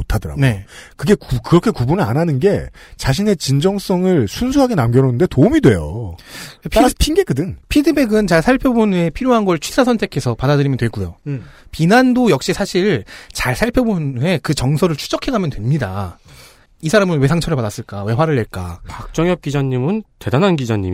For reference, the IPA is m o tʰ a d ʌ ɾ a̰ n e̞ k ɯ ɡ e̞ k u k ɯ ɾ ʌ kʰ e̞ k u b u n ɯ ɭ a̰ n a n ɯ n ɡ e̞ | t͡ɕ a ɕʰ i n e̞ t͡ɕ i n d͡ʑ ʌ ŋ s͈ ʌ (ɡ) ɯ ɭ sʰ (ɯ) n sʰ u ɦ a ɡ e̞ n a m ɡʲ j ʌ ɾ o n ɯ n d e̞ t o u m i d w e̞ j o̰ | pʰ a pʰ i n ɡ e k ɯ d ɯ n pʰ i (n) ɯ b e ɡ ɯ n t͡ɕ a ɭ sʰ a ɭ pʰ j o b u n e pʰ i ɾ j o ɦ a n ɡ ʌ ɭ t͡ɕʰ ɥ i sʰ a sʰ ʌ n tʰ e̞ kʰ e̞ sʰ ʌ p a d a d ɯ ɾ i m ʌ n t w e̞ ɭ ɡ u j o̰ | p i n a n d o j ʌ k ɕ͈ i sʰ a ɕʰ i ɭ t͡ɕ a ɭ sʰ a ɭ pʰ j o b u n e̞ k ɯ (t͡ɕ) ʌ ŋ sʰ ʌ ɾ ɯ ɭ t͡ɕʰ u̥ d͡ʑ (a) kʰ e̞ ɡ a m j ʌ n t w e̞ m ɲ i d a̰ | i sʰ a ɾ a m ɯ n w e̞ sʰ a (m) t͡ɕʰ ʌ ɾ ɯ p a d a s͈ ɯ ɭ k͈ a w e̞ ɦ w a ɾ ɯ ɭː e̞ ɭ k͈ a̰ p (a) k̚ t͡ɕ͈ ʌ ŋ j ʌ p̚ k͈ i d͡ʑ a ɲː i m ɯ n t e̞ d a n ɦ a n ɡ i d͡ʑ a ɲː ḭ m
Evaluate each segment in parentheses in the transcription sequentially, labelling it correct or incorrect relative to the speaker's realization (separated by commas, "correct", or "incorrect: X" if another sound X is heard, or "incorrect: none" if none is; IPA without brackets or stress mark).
incorrect: ŋ, incorrect: u, incorrect: d, correct, incorrect: ʌ, incorrect: ŋ, correct